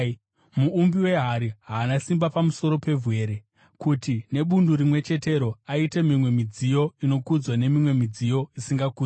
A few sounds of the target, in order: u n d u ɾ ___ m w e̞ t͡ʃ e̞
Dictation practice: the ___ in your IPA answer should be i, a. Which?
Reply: i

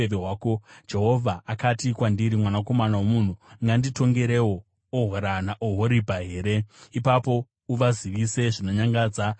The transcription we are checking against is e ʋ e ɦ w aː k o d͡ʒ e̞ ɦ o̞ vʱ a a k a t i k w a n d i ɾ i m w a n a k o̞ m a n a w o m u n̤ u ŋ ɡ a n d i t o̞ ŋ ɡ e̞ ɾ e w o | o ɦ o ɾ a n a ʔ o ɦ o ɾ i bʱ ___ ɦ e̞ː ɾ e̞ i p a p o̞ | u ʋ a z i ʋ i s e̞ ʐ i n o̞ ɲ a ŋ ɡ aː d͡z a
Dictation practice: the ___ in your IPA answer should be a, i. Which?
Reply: a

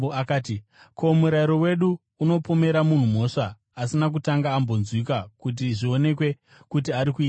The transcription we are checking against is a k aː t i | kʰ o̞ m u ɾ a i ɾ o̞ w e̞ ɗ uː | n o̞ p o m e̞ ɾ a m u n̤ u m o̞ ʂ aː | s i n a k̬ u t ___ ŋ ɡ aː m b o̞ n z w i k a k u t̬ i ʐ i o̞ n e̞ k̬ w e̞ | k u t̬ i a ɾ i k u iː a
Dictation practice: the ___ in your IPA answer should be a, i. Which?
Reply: a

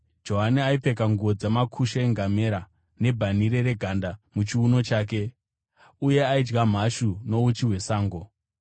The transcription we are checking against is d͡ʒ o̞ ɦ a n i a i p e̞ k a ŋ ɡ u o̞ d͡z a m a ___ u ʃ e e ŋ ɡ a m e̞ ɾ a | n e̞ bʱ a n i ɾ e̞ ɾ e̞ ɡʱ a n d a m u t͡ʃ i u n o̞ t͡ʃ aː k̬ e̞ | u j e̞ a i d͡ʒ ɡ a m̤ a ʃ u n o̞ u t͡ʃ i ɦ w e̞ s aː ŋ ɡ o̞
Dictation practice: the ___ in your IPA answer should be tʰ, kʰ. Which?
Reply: kʰ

